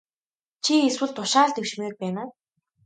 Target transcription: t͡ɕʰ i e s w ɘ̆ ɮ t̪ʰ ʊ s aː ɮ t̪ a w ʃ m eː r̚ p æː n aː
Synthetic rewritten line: t͡ɕʰ i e s w ɘ̆ ɮ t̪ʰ ʊ ʃ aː ɮ t̪ e w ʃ m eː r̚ p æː n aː

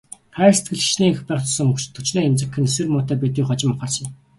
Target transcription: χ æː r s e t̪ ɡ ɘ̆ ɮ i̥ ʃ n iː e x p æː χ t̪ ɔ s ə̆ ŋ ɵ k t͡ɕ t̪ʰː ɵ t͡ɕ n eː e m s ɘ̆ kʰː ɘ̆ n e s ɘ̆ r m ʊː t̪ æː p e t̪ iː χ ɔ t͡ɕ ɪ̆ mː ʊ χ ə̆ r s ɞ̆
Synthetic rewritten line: χ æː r s e t̪ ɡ ɘ̆ ɮ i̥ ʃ n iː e x p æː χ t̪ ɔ s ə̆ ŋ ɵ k t͡ɕ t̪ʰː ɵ t͡ɕ n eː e m t͡s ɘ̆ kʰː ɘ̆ n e s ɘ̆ r m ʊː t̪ æː p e t̪ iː χ ɔ t͡ɕ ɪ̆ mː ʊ χ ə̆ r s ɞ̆

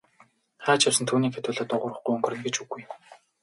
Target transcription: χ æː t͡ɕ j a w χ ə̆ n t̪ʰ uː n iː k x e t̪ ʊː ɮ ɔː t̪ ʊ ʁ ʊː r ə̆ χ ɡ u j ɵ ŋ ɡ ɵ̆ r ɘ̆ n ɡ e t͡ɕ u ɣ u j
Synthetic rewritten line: χ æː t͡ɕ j a w s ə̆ n t̪ʰ uː n iː k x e t̪ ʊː ɮ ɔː t̪ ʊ ʁ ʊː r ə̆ χ ɡ u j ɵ ŋ ɡ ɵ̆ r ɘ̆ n ɡ e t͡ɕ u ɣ u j

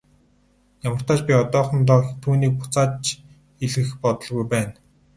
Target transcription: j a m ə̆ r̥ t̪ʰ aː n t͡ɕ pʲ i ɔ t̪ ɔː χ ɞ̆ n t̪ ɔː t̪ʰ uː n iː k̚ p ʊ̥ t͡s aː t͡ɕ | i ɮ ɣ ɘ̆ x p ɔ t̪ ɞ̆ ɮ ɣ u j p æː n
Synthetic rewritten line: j a m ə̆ r̥ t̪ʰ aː t͡ɕ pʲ i ɔ t̪ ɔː χ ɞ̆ n t̪ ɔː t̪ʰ uː n iː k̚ p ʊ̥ t͡s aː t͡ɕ | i ɮ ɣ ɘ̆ x p ɔ t̪ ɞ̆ ɮ ɣ u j p æː n

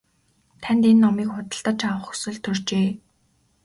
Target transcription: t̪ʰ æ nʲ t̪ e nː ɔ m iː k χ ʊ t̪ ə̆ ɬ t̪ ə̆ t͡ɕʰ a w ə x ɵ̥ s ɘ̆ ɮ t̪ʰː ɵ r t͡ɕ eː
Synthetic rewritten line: t̪ʰ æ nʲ t̪ e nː ɔ m iː k χ ʊ t̪ ə̆ ɬ t̪ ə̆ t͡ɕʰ a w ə χ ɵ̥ s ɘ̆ ɮ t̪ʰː ɵ r t͡ɕ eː

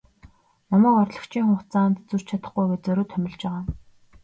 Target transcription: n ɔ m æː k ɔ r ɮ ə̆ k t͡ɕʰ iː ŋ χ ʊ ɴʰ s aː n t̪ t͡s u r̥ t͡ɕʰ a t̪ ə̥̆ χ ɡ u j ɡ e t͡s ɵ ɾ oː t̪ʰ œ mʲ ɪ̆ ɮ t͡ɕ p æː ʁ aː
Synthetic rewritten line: n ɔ m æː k ɔ r ɮ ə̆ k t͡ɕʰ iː ŋ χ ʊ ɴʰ t͡s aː n t̪ t͡s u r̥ t͡ɕʰ a t̪ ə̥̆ χ ɡ u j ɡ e t͡s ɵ ɾ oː t̪ʰ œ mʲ ɪ̆ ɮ t͡ɕ p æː ʁ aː

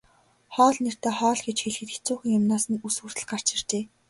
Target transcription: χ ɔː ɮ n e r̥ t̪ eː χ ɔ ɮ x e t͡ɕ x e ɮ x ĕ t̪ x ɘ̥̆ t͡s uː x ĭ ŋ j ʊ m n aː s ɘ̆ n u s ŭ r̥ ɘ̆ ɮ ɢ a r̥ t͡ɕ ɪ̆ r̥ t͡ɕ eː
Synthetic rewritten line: χ ɔː ɮ n e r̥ t̪ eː χ ɔː ɮ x e t͡ɕ x e ɮ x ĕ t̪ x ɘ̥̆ t͡s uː x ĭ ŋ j ʊ m n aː s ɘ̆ n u s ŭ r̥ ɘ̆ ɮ ɢ a r̥ t͡ɕ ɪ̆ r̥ t͡ɕ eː

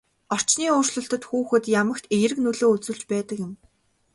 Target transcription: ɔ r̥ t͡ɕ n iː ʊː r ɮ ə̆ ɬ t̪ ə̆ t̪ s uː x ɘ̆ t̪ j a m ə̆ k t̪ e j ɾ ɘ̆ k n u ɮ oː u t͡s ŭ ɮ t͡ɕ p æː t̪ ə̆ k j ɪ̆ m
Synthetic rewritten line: ɔ r̥ t͡ɕ n iː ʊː r ɮ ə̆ ɬ t̪ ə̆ t̪ x uː x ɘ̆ t̪ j a m ə̆ k t̪ e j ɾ ɘ̆ k n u ɮ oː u t͡s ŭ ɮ t͡ɕ p æː t̪ ə̆ k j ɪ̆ m

